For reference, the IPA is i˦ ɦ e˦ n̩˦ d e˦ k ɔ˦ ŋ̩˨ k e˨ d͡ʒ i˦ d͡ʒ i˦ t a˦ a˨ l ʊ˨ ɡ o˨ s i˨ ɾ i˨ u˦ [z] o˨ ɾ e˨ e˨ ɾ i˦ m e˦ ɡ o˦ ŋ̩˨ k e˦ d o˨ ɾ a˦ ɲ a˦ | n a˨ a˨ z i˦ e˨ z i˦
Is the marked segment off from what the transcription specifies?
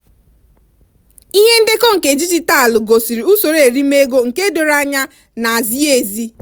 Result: yes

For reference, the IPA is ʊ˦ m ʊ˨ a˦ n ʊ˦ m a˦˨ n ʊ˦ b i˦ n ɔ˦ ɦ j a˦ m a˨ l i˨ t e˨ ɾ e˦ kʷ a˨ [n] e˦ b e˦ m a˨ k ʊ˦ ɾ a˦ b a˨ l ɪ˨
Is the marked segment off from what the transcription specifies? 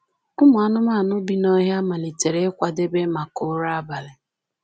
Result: yes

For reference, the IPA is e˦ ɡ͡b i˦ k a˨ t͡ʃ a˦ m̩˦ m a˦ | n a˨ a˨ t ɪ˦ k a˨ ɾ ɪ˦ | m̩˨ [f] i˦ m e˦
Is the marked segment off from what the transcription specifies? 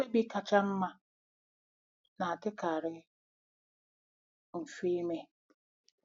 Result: no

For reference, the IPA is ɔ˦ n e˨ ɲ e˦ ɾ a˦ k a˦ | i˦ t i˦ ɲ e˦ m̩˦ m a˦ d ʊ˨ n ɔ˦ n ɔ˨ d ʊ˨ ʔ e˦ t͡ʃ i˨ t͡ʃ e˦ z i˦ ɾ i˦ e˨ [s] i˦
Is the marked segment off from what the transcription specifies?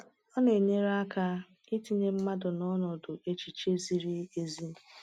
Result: yes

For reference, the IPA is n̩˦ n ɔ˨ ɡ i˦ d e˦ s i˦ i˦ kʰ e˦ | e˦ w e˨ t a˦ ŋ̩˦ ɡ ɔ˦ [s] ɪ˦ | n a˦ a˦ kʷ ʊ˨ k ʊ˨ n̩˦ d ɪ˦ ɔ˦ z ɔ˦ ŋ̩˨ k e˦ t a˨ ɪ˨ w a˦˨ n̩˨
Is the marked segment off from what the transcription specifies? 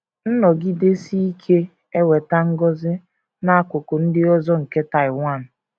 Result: yes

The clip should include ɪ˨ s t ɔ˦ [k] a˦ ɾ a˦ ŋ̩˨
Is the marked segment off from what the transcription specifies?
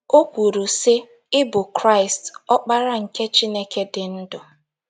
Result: yes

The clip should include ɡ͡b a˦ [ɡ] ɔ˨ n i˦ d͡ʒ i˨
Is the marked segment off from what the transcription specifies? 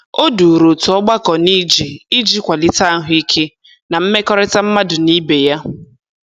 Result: yes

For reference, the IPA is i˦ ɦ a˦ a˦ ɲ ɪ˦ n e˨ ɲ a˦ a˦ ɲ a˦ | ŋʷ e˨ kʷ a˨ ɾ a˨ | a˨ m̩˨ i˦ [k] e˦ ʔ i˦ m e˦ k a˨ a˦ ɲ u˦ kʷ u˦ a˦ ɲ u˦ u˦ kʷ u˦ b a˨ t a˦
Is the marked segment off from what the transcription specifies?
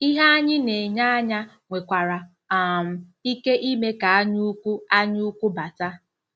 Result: no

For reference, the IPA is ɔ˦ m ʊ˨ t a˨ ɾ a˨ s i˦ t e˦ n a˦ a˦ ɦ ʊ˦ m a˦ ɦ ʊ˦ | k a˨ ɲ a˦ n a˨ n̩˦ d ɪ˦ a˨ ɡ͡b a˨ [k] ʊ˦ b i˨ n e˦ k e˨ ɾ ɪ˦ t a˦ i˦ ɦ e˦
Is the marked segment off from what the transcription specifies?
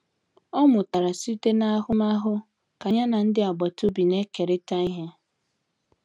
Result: yes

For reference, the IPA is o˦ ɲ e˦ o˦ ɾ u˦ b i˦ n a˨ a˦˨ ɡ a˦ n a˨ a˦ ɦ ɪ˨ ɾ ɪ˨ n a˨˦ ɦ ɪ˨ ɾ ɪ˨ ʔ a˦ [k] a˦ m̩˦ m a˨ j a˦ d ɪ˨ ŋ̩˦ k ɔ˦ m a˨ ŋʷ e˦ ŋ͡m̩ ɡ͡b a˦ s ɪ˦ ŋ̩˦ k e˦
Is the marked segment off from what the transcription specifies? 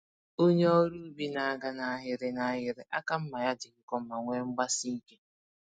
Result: no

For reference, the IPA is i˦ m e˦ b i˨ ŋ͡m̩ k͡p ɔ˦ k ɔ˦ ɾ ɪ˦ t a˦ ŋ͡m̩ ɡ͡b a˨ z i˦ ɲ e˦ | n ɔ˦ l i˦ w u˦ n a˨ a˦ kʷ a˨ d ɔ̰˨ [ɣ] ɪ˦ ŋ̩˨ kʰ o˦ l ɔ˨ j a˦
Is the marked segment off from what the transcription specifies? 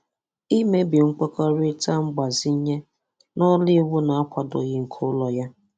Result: no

